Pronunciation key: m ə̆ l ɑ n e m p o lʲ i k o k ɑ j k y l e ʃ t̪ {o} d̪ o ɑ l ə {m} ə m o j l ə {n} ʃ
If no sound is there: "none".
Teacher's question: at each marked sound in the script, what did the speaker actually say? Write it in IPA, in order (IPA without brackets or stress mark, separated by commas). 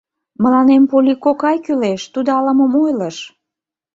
u, m, none